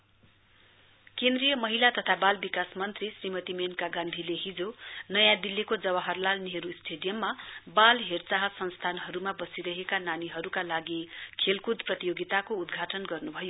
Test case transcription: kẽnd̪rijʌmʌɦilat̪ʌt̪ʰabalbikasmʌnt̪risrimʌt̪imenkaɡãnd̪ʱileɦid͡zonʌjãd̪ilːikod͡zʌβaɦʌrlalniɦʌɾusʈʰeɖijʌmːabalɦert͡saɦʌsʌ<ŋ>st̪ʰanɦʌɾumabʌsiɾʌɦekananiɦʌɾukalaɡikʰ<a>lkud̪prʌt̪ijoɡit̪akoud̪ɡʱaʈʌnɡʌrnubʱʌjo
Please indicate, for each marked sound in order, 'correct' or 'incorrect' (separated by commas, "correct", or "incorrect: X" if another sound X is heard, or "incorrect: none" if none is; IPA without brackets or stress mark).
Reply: incorrect: n, incorrect: e